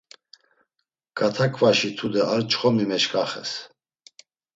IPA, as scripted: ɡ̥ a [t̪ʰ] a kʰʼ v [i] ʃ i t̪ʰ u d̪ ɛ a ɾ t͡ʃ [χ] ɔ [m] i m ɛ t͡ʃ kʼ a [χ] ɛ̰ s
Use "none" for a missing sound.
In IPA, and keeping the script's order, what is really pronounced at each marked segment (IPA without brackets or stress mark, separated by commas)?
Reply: t̪ʰ, a, χ, m, χ